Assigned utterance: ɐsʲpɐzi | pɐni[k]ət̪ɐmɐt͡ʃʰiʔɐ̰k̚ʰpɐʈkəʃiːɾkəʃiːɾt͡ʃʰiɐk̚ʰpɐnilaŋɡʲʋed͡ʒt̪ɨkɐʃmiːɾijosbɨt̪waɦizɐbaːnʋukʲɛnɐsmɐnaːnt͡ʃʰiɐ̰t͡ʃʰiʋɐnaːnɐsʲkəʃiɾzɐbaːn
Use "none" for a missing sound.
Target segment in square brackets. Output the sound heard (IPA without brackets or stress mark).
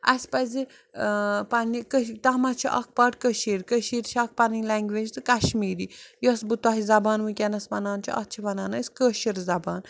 k